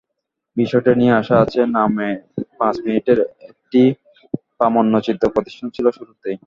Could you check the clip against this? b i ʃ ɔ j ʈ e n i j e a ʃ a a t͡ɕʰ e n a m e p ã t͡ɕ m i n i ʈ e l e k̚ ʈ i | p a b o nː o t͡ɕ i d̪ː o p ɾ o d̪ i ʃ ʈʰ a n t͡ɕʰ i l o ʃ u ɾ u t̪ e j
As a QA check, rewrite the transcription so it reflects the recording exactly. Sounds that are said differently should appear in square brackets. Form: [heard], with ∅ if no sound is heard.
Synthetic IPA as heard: b i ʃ ɔ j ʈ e n i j e a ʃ a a t͡ɕʰ e n a m e p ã t͡ɕ m i n i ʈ e [ɾ] e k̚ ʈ i | p a [m] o nː o t͡ɕ i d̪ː o p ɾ o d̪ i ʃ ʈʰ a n t͡ɕʰ i l o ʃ u ɾ u t̪ e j